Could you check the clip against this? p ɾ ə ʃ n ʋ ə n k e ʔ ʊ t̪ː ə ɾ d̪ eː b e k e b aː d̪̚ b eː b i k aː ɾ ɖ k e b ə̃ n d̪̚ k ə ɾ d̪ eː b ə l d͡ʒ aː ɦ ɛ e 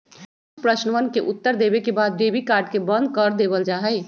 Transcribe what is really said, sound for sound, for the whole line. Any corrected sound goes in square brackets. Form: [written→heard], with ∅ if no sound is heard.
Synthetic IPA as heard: p ɾ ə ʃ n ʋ ə n k e ʔ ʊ t̪ː ə ɾ d̪ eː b e k e b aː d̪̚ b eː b i k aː ɾ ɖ k e b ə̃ n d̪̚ k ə ɾ d̪ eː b ə l d͡ʒ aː ɦ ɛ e